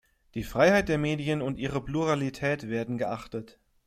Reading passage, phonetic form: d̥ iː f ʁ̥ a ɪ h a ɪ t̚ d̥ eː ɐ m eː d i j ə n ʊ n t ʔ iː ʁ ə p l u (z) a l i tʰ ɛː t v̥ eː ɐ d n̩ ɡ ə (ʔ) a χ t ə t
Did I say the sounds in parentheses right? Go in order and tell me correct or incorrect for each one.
incorrect: ʁ, correct

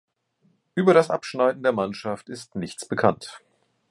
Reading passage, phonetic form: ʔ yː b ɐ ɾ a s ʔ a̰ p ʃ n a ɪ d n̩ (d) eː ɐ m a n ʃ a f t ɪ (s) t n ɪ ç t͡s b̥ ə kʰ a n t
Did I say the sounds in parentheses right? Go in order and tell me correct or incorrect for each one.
correct, correct

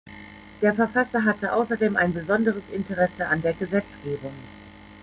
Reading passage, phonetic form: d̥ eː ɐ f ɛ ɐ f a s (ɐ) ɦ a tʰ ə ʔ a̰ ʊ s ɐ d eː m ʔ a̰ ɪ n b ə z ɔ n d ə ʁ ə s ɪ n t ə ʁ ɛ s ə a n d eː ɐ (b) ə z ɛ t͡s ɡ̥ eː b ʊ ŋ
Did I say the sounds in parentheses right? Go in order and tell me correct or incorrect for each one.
correct, incorrect: ɡ

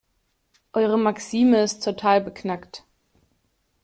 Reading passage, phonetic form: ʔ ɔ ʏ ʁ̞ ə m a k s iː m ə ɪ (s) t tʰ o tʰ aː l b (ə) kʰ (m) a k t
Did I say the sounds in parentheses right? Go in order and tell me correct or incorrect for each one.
correct, correct, incorrect: n

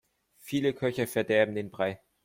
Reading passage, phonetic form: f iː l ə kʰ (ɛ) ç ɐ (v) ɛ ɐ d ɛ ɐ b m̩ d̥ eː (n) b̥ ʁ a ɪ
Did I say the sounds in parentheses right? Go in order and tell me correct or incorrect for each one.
incorrect: œ, incorrect: f, correct

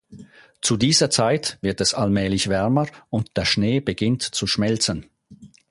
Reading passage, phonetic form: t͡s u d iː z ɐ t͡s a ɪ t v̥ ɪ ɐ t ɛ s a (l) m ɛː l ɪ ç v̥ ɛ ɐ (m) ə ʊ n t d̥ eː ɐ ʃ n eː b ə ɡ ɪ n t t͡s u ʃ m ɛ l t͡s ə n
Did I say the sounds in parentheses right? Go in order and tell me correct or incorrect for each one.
correct, correct

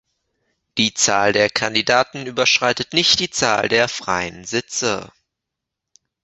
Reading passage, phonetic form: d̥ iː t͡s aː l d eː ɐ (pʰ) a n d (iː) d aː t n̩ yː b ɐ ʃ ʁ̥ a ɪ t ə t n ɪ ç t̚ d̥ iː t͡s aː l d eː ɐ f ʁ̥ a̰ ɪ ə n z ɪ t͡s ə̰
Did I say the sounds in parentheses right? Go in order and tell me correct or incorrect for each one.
incorrect: kʰ, incorrect: i

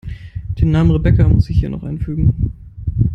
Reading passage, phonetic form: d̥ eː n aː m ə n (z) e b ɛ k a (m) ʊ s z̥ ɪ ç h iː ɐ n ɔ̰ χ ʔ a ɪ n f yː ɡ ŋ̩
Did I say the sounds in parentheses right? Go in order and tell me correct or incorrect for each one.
incorrect: ʁ, correct

